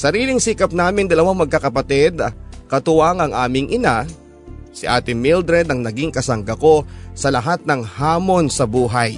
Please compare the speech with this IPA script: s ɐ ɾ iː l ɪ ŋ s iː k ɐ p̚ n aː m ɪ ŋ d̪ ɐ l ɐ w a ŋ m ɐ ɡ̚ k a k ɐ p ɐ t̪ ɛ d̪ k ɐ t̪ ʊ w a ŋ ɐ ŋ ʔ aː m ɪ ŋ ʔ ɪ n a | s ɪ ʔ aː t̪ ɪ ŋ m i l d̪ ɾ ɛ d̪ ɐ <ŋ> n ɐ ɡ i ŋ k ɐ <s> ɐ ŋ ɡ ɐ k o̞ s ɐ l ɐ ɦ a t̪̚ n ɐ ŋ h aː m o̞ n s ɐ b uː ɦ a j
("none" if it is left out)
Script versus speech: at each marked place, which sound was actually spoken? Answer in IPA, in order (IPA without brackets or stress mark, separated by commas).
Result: ŋ, s